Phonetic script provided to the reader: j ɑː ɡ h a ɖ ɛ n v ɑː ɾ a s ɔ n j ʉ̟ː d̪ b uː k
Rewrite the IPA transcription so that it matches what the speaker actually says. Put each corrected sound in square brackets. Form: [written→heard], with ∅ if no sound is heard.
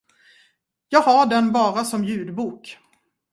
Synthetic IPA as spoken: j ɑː ɡ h a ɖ ɛ n [v→b] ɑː ɾ a s ɔ [n→m] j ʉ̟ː d̪ b uː k